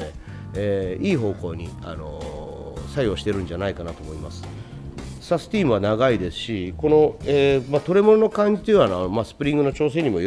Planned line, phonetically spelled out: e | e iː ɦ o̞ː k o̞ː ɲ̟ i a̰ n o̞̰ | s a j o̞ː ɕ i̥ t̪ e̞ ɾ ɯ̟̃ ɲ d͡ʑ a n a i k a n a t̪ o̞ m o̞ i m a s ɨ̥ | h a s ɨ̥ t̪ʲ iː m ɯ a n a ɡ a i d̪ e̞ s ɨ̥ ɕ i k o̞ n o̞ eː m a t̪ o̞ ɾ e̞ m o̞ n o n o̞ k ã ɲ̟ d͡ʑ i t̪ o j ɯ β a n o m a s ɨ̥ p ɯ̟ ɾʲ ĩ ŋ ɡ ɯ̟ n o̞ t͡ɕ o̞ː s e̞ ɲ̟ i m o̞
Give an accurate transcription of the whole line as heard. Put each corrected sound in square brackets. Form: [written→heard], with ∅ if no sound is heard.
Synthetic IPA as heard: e | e iː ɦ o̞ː k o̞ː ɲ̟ i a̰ n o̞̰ | s a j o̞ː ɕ i̥ t̪ e̞ ɾ ɯ̟̃ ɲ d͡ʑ a n a i k a n a t̪ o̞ m o̞ i m a s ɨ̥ | [h→s] a s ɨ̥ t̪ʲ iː m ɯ a n a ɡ a i d̪ e̞ s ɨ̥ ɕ i k o̞ n o̞ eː m a t̪ o̞ ɾ e̞ m o̞ n o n o̞ k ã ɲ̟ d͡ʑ i t̪ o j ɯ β a n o m a s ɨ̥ p ɯ̟ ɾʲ ĩ ŋ ɡ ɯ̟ n o̞ t͡ɕ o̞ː s e̞ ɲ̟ i m o̞

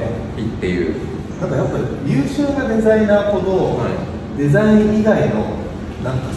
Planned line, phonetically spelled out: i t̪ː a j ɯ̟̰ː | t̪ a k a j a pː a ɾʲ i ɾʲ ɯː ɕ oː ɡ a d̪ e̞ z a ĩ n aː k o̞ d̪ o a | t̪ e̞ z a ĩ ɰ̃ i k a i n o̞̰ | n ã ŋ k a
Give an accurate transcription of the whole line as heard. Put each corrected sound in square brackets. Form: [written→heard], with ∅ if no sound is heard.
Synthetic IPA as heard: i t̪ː [a→e] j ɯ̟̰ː | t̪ a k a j a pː a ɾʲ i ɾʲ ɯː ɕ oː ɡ a d̪ e̞ z a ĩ n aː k o̞ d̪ o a | [t̪→d̪] e̞ z a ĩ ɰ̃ i [k→ɡ] a i n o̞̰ | n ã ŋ k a

